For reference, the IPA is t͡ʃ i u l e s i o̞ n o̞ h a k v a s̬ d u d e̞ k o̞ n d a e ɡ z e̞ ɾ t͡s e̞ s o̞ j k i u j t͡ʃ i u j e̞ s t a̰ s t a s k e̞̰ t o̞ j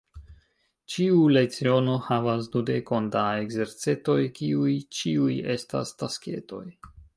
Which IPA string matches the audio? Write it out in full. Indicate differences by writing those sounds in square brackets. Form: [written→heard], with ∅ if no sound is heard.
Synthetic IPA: t͡ʃ i u l e [s→t͡s] i o̞ n o̞ h a [k→∅] v a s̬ d u d e̞ k o̞ n d a e ɡ z e̞ ɾ t͡s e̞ [s→t] o̞ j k i u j t͡ʃ i u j e̞ s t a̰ s t a s k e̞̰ t o̞ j